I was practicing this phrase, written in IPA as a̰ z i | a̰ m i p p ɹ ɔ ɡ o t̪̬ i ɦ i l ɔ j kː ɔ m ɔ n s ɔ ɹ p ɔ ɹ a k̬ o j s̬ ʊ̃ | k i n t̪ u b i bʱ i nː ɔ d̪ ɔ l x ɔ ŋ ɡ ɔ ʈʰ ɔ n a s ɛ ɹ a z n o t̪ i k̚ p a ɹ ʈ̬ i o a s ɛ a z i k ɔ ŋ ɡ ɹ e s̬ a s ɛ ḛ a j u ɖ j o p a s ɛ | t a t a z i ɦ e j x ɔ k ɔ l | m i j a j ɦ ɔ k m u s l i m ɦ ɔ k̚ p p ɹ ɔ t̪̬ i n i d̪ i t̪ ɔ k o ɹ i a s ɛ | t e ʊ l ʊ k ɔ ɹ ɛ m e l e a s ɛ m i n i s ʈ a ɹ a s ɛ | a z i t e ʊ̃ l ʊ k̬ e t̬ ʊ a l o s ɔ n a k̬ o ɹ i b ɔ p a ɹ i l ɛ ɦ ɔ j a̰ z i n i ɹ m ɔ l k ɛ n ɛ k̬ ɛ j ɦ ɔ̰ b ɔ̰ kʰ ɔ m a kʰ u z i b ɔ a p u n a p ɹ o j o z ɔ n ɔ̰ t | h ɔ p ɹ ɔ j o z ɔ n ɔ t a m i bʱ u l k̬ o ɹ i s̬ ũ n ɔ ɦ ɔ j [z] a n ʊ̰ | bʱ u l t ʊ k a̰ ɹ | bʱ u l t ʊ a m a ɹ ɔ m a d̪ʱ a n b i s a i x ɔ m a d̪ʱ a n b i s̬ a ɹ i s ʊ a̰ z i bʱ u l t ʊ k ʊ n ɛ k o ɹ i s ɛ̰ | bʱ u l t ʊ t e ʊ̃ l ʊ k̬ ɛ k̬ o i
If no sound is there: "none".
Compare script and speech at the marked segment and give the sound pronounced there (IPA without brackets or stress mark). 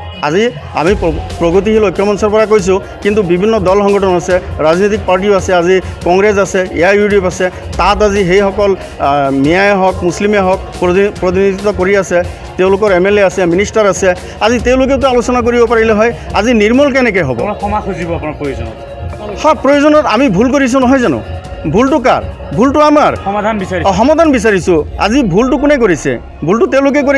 z